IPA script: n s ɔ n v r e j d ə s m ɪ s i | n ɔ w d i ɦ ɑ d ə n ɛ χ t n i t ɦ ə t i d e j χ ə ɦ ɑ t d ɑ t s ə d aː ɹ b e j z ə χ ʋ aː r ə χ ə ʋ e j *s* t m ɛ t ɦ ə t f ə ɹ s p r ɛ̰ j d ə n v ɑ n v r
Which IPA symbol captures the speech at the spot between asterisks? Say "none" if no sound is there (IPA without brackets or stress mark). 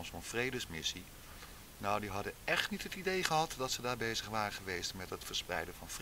s